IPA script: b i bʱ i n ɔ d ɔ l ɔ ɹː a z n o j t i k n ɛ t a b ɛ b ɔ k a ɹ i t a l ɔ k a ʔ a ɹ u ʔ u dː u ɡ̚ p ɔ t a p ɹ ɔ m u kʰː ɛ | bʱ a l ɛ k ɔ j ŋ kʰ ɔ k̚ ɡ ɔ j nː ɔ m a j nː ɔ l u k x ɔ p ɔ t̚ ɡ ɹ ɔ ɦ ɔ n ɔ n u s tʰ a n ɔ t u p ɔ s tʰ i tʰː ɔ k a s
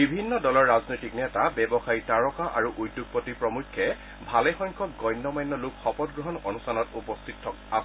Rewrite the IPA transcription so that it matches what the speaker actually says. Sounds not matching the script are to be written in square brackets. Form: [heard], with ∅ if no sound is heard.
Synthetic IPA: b i bʱ i [nː] ɔ d ɔ l ɔ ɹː a z n o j t i k n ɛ t a b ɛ b ɔ [x] a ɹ i t a [ɹ] ɔ k a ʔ a ɹ u ʔ u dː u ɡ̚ p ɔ t [i] p ɹ ɔ m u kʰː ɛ | bʱ a l ɛ [x] ɔ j ŋ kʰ ɔ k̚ ɡ ɔ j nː ɔ m a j nː ɔ l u k x ɔ p ɔ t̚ ɡ ɹ ɔ ɦ ɔ n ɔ n u s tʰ a n ɔ t u p ɔ s tʰ i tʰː ɔ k a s

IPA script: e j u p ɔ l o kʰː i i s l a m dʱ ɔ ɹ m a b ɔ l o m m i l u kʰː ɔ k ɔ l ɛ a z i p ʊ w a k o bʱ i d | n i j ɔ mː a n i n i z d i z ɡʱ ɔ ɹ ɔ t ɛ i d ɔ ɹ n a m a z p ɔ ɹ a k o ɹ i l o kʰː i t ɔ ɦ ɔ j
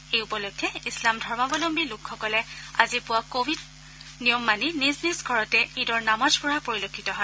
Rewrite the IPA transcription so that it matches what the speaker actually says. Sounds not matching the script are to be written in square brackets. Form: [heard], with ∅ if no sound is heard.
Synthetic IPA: e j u p ɔ l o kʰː [ɛ] i s l a m dʱ ɔ ɹ m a b ɔ l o m [b] i l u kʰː ɔ k ɔ l ɛ a z i p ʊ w a k o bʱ i d | n i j ɔ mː a n i n i z [n] i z ɡʱ ɔ ɹ ɔ t ɛ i d ɔ ɹ n a m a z p ɔ ɹ a [p] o ɹ i l o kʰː i t ɔ ɦ ɔ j

